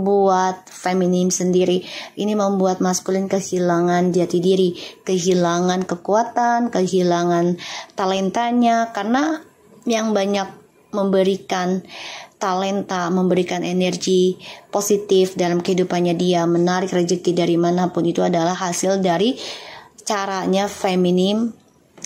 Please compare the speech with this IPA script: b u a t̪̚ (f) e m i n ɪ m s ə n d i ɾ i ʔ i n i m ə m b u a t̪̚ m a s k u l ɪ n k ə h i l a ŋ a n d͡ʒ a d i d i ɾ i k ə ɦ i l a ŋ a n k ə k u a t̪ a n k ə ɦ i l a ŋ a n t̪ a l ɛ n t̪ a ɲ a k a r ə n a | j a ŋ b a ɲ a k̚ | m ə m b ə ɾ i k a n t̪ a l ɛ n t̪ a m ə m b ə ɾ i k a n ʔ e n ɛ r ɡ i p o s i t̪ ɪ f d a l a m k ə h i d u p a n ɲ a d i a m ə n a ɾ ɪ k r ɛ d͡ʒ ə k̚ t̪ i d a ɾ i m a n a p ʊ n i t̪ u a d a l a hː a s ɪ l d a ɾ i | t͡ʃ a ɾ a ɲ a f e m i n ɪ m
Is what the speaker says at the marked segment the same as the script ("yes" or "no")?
yes